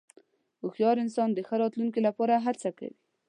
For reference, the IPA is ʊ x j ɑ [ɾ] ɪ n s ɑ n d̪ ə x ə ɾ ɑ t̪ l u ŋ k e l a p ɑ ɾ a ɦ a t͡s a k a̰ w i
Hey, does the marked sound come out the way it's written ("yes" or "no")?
yes